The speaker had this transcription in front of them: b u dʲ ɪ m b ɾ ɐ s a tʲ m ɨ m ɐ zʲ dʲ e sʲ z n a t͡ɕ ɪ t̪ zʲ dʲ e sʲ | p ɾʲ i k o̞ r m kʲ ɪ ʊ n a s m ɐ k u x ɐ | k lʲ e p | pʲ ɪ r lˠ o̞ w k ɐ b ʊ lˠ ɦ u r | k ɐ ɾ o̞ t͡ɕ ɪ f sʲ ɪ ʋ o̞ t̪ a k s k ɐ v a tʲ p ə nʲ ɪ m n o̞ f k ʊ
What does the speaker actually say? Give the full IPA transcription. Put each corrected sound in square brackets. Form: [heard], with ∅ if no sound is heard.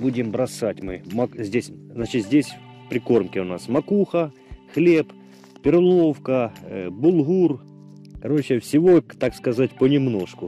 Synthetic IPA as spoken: b u dʲ ɪ m b ɾ ɐ s a tʲ m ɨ m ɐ zʲ dʲ e sʲ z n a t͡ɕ ɪ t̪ zʲ dʲ e sʲ | p ɾʲ [ɪ] k o̞ r m kʲ ɪ ʊ n a s m ɐ k u x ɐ | [x] lʲ e p | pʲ ɪ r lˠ o̞ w k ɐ b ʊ lˠ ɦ u r | k ɐ ɾ o̞ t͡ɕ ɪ f sʲ ɪ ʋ o̞ t̪ a k s k ɐ [z] a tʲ p ə nʲ ɪ m n o̞ [ʂ] k ʊ

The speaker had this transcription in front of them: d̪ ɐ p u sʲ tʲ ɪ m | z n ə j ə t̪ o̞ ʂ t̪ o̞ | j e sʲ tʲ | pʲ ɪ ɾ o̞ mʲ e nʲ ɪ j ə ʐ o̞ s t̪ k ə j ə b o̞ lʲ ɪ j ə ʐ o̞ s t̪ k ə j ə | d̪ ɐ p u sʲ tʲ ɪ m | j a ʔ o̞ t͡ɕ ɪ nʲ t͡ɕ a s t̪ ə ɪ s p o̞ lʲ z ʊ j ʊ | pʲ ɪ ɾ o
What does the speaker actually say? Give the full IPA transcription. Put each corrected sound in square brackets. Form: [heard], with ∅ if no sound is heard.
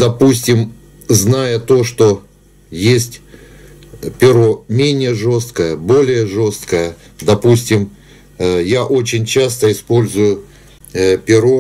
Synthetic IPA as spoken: d̪ ɐ p u sʲ tʲ ɪ m | z n [a] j ə t̪ o̞ ʂ t̪ o̞ | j e sʲ tʲ | pʲ ɪ ɾ o̞ mʲ e nʲ ɪ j ə ʐ o̞ s t̪ k ə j ə b o̞ lʲ ɪ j ə ʐ o̞ s t̪ k ə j ə | d̪ ɐ p u sʲ tʲ ɪ m | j a ʔ o̞ t͡ɕ ɪ nʲ t͡ɕ a s t̪ ə ɪ s p o̞ lʲ z ʊ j ʊ | pʲ ɪ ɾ o

